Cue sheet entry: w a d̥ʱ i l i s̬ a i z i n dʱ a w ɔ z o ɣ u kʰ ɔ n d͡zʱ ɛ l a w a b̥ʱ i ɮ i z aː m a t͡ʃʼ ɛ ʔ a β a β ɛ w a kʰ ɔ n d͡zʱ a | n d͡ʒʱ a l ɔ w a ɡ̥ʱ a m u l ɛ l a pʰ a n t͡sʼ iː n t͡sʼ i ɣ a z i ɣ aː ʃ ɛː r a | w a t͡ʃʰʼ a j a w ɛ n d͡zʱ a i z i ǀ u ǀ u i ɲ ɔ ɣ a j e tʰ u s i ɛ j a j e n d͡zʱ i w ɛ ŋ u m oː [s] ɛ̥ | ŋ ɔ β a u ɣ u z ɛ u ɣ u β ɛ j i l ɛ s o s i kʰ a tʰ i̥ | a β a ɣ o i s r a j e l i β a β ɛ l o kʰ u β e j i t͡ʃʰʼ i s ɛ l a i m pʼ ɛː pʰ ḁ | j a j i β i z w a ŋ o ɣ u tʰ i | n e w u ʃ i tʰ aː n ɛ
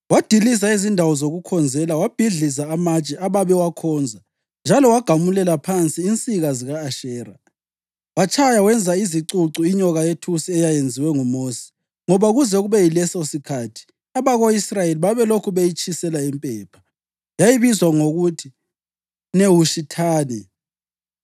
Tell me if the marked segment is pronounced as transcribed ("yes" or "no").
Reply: yes